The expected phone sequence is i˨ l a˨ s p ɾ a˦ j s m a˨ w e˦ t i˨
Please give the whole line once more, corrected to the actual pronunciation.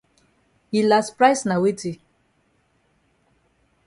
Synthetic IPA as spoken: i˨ l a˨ s p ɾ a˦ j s n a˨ w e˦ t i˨